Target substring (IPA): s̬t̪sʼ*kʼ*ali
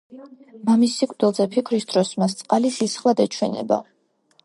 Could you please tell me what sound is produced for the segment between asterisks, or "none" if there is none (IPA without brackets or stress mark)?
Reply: qʼ